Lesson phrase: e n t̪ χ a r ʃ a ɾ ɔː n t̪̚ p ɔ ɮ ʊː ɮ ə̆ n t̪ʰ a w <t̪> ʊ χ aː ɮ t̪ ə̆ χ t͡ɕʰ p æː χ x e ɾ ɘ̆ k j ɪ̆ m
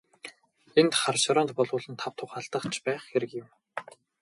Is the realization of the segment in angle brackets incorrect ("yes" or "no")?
yes